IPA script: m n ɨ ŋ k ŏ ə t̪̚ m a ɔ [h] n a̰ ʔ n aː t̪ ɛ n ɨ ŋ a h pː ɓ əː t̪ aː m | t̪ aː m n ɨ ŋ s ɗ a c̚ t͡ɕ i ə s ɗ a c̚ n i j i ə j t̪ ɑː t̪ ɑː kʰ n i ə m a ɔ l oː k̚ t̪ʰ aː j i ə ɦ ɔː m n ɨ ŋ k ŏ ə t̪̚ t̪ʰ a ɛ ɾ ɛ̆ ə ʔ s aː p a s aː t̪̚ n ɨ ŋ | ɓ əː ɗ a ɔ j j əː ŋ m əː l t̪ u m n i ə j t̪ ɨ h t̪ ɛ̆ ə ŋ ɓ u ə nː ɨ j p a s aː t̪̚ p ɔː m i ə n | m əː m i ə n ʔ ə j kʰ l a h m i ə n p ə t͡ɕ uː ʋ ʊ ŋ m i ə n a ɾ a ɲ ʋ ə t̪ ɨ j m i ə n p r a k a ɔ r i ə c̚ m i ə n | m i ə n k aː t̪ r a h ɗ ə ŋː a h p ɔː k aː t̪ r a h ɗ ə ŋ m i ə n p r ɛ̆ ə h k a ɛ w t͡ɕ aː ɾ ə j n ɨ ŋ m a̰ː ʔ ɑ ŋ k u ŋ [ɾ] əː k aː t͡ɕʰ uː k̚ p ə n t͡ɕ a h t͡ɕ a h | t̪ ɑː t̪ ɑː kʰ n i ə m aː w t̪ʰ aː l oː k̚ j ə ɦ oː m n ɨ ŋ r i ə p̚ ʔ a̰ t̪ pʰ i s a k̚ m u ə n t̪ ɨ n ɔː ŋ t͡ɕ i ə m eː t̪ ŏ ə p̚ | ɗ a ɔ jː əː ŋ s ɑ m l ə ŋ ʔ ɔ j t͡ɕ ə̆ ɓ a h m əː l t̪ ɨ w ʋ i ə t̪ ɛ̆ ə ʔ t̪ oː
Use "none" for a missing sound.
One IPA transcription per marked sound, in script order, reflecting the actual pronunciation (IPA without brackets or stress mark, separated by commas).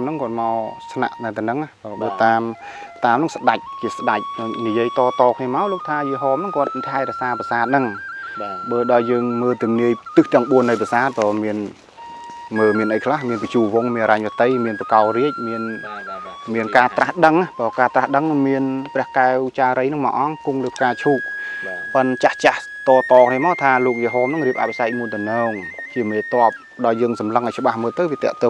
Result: s, l